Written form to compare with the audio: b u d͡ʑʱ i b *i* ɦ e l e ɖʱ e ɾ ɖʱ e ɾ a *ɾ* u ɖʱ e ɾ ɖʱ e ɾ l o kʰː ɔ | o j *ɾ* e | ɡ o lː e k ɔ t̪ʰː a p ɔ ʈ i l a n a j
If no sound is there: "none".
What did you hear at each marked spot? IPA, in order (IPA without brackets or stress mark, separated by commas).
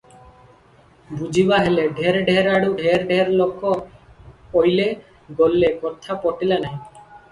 a, ɽ, l